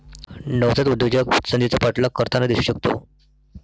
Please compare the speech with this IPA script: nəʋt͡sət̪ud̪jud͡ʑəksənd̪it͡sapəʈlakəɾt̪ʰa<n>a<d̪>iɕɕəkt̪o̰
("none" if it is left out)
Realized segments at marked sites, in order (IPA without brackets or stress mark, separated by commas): n, d̪